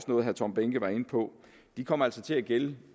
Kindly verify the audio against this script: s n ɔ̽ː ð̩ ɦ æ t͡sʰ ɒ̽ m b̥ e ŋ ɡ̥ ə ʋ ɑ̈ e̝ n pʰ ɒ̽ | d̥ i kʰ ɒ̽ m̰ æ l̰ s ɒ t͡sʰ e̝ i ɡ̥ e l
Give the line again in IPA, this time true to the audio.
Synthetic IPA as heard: s n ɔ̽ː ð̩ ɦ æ t͡sʰ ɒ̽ m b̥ e ŋ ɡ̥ ə ʋ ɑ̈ e̝ n pʰ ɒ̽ | d̥ i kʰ ɒ̽ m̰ æ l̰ s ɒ t͡sʰ e̝ æ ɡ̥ e l